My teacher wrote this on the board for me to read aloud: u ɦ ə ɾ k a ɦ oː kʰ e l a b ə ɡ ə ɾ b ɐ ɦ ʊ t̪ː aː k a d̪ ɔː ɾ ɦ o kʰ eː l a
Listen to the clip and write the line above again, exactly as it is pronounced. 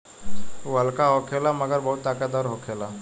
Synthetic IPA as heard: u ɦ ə l k a ɦ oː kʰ e l a m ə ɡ ə ɾ b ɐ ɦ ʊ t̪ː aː k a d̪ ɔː ɾ ɦ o kʰ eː l a